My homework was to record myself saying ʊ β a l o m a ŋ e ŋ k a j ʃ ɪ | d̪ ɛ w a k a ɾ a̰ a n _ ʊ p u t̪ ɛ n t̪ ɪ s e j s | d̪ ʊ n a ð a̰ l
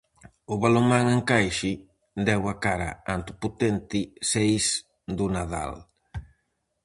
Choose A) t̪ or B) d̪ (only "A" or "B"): A